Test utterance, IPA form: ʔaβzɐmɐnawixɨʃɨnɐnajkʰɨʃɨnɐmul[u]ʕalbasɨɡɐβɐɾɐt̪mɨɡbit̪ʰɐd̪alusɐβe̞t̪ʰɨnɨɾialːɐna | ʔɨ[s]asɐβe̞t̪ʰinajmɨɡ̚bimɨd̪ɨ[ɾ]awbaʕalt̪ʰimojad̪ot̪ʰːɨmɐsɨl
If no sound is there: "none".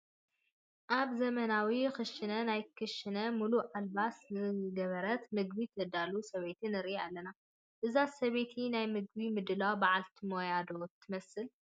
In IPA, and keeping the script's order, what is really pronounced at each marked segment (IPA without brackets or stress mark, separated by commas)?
u, z, l